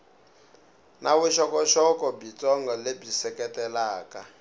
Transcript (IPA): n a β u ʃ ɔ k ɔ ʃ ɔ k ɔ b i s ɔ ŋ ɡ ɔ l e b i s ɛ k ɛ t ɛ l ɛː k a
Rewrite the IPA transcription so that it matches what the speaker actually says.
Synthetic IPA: n a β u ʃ ɔ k ɔ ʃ ɔ k ɔ b i t͡s ɔ ŋ ɡ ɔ l e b i s ɛ k ɛ t ɛ l aː k a